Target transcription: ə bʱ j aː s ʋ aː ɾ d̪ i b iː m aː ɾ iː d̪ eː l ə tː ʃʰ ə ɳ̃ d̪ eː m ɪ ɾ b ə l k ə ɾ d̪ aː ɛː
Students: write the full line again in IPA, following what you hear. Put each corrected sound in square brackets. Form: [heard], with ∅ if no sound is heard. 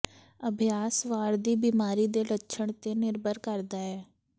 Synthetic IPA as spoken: ə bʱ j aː s ʋ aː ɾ d̪ [iː] b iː m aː ɾ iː d̪ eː l ə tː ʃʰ ə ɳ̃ [t̪] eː [n] ɪ ɾ b ə [ɾ] k ə ɾ d̪ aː ɛː